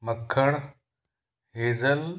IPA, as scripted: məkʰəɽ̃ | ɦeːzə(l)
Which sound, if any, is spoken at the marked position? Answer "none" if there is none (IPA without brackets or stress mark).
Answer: l